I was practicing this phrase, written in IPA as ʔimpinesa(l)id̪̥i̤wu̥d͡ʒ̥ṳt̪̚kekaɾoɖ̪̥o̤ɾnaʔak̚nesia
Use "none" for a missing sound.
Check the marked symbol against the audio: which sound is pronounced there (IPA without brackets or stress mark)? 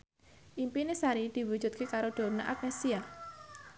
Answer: ɾ